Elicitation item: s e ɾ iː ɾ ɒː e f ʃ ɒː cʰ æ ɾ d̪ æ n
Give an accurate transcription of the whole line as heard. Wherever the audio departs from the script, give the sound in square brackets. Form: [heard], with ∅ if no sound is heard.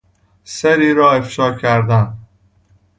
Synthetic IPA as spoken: s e ɾ iː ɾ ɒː e f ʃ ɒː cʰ æ ɾ d̪ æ n

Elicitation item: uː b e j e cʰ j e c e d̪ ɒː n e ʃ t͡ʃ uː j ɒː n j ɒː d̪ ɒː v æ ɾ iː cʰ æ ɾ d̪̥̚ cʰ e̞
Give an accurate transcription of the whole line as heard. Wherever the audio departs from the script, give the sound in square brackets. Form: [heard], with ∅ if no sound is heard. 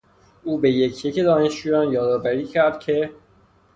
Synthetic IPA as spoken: uː b e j e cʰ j e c e d̪ ɒː n e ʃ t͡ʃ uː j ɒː n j ɒː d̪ ɒː v æ ɾ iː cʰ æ ɾ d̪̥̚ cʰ e̞

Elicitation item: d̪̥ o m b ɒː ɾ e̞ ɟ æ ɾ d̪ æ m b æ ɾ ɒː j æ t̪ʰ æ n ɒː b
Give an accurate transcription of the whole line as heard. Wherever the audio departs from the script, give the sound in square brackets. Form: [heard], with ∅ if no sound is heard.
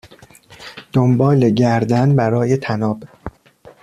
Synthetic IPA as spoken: d̪̥ o m b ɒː [l] e̞ ɟ æ ɾ d̪ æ [n] b æ ɾ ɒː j [e] t̪ʰ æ n ɒː b

